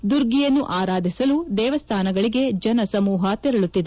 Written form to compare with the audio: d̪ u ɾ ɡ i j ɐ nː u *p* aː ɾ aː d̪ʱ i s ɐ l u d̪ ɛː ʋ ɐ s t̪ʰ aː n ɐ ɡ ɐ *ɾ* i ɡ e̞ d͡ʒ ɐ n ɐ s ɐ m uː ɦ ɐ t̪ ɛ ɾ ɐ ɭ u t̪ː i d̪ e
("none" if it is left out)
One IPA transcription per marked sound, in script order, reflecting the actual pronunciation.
ʔ, ɭ

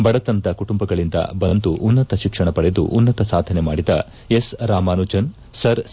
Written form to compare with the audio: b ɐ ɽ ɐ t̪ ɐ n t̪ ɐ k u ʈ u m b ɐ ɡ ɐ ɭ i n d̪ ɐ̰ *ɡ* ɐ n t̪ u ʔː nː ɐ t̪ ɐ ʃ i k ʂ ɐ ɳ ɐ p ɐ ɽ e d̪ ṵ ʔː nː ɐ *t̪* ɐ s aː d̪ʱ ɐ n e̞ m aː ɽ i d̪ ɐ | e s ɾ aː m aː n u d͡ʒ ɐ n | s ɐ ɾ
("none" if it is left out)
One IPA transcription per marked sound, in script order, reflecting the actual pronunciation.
b, t̪

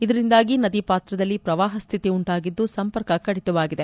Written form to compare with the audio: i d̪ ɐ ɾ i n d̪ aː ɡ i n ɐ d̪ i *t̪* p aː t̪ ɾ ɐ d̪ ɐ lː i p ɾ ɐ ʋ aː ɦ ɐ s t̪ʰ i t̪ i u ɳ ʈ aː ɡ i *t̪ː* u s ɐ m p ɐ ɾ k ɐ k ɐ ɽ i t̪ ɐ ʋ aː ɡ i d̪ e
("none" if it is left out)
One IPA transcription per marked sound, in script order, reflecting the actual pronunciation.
none, d̪ː

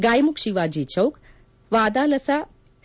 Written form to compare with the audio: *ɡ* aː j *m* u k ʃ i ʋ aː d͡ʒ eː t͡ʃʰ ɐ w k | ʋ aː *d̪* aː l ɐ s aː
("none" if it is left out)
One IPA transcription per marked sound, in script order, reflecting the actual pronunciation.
ɡ, m, d̪

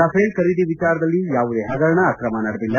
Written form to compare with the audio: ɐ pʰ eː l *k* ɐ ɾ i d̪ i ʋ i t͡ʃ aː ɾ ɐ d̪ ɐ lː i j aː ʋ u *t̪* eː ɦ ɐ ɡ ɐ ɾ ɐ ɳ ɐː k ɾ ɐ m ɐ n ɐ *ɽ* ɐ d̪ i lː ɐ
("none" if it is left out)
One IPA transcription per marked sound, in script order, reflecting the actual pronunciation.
k, d̪, ɽ

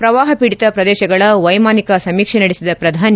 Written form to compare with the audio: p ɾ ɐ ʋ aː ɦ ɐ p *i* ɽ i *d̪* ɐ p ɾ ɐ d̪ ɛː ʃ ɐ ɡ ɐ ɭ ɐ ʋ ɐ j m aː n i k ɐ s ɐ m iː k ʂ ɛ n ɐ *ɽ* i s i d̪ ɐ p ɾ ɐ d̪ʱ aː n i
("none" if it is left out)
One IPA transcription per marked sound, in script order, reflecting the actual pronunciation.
i, t̪, ɽ

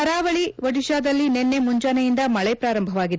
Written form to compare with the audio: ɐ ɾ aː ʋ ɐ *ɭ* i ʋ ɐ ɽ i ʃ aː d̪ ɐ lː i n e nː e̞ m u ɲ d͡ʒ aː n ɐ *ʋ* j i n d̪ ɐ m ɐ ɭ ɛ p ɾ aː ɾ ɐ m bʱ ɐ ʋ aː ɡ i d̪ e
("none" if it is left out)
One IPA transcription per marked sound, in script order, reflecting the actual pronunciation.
ɭ, none

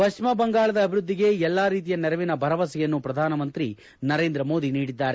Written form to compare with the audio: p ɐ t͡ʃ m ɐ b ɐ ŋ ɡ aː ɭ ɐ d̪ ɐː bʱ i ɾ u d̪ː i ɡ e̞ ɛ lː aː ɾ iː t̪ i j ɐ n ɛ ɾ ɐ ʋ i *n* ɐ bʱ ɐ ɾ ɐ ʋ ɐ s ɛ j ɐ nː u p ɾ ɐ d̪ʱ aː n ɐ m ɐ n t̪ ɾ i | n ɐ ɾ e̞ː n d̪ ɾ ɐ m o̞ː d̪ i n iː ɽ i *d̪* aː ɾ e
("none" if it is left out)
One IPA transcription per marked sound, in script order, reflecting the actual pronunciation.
n, d̪ː

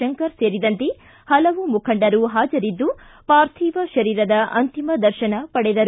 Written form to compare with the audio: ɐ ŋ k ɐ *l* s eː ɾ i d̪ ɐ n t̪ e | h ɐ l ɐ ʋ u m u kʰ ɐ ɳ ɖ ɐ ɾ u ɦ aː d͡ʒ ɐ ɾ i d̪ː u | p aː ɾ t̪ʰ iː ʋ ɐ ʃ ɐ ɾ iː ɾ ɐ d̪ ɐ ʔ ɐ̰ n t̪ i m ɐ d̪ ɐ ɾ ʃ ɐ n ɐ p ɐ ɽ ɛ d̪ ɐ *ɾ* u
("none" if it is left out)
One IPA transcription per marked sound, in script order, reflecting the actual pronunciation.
ɾ, ɾ

